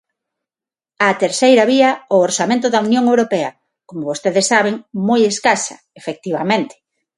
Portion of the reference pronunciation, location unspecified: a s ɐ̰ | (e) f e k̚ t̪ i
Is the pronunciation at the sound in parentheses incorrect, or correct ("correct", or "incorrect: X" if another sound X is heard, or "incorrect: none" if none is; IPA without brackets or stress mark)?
correct